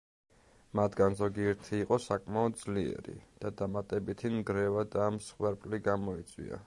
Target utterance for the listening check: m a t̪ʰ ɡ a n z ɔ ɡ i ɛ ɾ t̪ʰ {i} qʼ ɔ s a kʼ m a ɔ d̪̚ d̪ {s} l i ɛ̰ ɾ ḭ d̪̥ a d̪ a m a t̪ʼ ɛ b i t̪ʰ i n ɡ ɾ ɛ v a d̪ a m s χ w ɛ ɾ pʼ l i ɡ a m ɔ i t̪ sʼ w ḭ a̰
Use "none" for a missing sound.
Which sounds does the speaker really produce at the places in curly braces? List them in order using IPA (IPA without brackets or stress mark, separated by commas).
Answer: iː, z